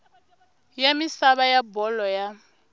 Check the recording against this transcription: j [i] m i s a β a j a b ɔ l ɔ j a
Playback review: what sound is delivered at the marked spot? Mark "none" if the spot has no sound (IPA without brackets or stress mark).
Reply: a